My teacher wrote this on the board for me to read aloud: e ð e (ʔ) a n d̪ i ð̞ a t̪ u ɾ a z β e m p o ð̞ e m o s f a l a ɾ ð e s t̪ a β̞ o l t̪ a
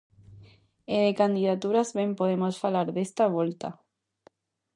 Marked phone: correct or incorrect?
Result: incorrect